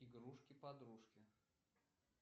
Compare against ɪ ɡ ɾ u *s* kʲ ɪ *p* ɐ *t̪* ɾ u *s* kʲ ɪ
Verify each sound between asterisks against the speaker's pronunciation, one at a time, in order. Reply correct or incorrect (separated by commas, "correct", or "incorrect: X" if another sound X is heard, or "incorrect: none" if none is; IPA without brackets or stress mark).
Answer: incorrect: ʂ, correct, incorrect: d̪, incorrect: ʂ